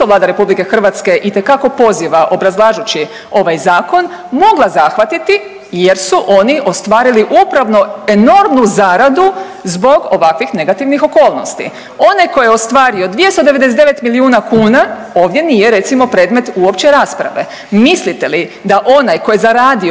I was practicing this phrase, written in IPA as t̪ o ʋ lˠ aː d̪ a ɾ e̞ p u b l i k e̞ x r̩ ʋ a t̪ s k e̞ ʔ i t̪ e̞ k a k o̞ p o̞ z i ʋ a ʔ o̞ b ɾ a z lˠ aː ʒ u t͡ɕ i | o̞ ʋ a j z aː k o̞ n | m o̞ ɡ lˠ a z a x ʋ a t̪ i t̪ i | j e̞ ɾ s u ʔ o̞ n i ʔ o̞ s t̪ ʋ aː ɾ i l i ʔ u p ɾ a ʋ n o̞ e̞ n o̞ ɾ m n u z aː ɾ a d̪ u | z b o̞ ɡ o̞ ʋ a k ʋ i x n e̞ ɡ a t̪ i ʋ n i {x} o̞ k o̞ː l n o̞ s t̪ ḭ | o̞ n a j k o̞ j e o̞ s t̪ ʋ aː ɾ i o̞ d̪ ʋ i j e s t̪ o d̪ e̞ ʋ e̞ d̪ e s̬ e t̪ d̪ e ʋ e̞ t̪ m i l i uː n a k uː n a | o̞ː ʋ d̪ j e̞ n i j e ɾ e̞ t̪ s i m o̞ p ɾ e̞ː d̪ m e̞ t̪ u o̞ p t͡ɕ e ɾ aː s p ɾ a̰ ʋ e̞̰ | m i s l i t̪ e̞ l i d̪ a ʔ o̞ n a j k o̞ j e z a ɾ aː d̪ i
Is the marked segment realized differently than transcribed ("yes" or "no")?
no